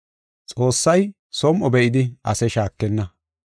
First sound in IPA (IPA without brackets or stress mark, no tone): t͡sʼ